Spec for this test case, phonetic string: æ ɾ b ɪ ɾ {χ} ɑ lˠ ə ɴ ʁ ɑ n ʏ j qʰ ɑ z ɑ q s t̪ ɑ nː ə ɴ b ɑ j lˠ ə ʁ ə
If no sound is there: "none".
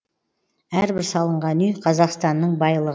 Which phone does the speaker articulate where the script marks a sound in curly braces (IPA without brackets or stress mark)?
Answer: s